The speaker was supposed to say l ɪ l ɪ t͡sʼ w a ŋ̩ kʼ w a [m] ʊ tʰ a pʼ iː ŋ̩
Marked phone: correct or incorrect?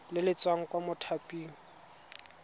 correct